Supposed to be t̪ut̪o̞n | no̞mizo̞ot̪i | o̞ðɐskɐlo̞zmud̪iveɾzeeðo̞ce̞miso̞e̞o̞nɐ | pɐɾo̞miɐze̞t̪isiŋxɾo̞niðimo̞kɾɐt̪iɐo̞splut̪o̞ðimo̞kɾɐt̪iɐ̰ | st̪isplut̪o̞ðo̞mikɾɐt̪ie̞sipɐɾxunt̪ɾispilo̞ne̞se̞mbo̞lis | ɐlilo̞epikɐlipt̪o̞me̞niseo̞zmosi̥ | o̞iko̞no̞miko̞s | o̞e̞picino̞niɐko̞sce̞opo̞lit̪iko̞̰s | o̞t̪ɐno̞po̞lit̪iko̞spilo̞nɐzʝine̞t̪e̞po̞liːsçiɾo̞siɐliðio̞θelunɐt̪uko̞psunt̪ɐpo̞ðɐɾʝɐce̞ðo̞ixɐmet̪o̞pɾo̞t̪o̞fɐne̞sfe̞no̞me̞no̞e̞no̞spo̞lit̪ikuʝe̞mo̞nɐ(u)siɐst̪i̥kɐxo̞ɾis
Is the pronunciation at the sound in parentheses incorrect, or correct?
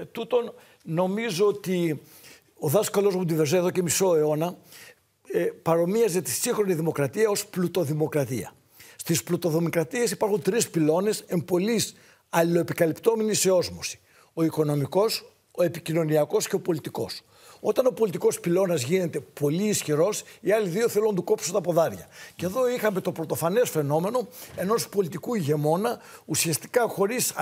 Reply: correct